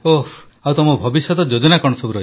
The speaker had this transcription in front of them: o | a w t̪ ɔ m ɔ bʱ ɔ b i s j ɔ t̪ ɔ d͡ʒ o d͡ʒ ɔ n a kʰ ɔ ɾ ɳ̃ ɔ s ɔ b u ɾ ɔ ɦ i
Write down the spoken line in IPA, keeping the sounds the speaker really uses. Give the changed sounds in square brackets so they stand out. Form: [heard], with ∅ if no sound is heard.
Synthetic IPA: o | a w t̪ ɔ m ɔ bʱ ɔ b i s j ɔ t̪ ɔ d͡ʒ o d͡ʒ ɔ n a [k] ɔ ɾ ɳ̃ ɔ s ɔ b u ɾ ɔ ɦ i